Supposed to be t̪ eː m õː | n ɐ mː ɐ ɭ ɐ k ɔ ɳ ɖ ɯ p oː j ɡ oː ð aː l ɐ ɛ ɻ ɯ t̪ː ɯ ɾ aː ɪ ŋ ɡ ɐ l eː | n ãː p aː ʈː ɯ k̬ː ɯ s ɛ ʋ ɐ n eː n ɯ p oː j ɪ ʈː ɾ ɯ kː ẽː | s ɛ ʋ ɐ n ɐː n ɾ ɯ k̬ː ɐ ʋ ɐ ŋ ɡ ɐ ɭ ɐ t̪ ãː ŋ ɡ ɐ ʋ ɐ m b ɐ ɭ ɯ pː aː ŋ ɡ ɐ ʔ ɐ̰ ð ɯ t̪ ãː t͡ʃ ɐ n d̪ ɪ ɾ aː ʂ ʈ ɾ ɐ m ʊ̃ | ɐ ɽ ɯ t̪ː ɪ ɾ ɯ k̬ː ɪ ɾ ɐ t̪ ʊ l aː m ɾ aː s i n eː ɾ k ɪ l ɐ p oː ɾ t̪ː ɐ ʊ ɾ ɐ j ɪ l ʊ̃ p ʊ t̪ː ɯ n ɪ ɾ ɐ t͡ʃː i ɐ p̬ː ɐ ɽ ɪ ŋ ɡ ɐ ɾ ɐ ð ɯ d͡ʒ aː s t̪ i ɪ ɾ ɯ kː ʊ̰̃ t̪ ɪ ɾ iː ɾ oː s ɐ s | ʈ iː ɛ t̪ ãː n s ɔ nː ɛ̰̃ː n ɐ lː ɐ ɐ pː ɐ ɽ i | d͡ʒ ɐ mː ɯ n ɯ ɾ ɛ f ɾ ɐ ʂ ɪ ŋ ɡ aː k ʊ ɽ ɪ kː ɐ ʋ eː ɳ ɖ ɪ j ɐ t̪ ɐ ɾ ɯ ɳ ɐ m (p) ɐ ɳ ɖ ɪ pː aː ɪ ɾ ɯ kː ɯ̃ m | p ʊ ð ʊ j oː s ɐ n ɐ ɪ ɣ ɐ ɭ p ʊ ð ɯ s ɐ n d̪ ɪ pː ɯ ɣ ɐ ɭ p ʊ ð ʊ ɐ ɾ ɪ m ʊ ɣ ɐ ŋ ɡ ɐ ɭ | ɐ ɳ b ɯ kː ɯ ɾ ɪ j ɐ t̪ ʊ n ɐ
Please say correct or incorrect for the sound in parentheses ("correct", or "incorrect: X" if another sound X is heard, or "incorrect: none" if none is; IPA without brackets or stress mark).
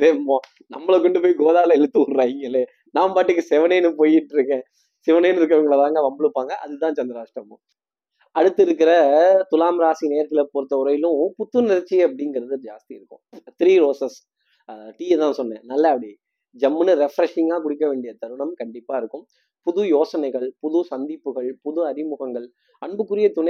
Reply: incorrect: k